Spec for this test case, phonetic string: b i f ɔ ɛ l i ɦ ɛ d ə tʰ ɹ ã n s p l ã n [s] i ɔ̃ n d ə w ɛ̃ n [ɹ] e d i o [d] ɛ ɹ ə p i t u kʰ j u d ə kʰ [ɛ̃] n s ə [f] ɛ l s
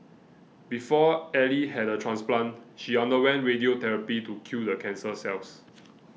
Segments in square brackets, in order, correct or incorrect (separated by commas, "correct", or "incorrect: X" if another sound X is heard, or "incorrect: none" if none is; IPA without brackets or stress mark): incorrect: ʃ, correct, incorrect: t, correct, incorrect: s